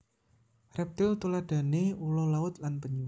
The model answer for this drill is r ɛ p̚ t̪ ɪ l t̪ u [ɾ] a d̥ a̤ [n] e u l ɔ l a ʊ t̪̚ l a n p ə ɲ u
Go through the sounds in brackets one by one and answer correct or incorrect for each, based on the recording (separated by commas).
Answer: incorrect, correct